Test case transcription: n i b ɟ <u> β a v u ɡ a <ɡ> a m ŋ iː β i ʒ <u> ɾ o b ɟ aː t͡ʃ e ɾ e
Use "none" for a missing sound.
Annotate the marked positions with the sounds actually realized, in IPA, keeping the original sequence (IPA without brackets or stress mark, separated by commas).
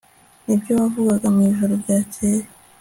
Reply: o, ɡ, o